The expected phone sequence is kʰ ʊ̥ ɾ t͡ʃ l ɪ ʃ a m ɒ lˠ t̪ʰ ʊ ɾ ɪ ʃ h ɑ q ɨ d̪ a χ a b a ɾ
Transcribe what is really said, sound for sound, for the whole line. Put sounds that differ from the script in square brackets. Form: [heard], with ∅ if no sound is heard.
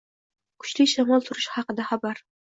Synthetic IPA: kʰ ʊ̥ [∅] t͡ʃ l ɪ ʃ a m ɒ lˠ t̪ʰ ʊ ɾ ɪ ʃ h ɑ q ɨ d̪ a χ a b a ɾ